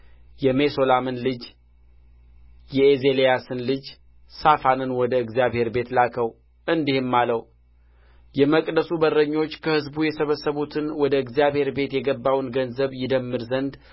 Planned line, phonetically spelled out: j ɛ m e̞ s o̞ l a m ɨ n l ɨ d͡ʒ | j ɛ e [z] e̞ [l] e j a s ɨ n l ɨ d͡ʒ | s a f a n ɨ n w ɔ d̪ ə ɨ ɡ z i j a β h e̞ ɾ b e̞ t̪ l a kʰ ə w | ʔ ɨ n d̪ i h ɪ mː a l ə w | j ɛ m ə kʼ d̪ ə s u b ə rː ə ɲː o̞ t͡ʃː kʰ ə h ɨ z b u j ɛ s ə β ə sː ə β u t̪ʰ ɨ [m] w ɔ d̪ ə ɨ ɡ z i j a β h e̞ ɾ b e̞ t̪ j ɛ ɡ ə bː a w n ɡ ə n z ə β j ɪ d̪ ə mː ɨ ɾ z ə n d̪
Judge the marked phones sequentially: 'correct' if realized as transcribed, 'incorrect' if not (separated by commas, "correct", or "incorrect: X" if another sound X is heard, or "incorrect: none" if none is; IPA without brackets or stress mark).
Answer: correct, correct, incorrect: n